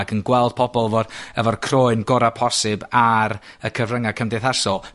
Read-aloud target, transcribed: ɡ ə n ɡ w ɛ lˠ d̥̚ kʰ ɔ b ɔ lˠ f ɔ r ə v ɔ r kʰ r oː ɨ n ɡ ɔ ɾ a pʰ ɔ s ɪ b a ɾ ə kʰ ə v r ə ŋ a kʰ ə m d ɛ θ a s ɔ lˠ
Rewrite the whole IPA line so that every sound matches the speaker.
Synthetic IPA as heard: ɡ ə n ɡ w ɛ lˠ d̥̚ pʰ ɔ b ɔ lˠ v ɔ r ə v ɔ r kʰ r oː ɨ n ɡ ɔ ɾ a pʰ ɔ s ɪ b a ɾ ə kʰ ə v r ə ŋ a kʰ ə m d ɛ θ a s ɔ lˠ